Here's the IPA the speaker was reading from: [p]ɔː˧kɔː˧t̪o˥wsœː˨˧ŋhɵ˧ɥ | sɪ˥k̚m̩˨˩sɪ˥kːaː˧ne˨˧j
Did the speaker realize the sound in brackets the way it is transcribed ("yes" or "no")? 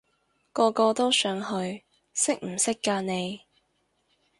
no